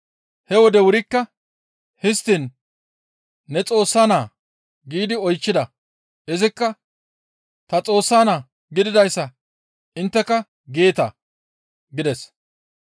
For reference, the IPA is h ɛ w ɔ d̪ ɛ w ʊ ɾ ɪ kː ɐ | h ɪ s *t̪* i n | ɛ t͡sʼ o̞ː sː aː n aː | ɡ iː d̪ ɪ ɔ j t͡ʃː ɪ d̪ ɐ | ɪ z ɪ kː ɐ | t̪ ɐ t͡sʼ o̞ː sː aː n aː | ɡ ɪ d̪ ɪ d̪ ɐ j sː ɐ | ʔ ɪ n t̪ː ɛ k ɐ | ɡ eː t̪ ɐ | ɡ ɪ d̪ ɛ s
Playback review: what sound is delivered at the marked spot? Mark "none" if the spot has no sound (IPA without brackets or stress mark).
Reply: t̪